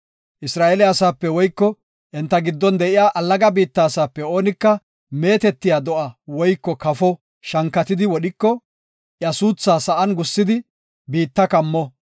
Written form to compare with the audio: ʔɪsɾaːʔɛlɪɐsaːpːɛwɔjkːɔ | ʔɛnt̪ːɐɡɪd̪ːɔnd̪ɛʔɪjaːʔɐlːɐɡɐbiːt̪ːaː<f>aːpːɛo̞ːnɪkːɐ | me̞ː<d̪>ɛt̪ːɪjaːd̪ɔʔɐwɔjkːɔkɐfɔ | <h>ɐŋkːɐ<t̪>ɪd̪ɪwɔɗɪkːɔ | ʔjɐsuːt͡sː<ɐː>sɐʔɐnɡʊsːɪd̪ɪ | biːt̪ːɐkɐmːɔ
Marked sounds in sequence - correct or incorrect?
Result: incorrect: s, incorrect: t̪, incorrect: ʃ, correct, incorrect: aː

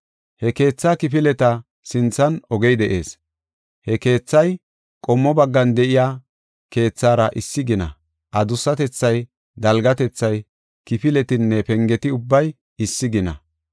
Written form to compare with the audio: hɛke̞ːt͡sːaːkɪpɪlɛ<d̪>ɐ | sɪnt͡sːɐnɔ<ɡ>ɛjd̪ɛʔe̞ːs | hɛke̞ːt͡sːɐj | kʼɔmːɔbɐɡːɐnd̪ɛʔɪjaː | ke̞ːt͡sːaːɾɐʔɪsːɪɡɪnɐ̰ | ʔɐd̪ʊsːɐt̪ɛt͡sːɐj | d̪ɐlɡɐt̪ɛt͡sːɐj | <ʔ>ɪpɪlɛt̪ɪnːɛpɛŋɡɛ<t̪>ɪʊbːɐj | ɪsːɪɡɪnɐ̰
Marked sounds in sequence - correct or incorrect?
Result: incorrect: t̪, correct, incorrect: k, correct

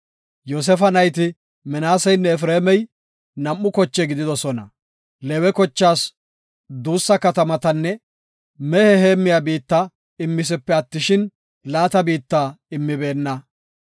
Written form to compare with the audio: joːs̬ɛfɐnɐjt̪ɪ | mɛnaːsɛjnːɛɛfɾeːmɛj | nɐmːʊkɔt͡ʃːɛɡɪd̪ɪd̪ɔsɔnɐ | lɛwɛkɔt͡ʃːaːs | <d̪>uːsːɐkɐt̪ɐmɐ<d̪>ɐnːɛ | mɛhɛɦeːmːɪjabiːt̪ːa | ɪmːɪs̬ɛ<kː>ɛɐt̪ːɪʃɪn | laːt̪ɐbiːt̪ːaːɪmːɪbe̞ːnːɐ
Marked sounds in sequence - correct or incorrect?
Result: correct, incorrect: t̪, incorrect: pː

